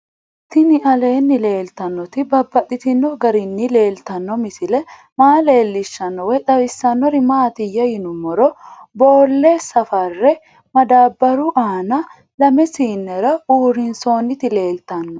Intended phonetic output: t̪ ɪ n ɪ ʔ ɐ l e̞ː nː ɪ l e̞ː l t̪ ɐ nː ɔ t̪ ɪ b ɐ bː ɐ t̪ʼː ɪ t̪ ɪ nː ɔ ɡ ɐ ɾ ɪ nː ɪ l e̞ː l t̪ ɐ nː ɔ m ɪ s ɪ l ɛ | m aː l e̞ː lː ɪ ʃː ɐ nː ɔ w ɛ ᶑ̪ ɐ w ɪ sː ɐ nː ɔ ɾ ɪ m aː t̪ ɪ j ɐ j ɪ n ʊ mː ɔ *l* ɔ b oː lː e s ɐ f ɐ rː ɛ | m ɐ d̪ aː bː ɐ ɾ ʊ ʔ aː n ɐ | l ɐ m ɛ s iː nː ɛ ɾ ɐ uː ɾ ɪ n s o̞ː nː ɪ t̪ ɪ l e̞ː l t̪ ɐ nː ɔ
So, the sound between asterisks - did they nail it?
no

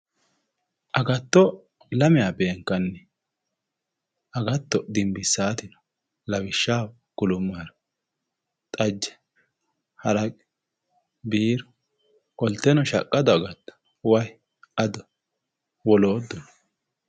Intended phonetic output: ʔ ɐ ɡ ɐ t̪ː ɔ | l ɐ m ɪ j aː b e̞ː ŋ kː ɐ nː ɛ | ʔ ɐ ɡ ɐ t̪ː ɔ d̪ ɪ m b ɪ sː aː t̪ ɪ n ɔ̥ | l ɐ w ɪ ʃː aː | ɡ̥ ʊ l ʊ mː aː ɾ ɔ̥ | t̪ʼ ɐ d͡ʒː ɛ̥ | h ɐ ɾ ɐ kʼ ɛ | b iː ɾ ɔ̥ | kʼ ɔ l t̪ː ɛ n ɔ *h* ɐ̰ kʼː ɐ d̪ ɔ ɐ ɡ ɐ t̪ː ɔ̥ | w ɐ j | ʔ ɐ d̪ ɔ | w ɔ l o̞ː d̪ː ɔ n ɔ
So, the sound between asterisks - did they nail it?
no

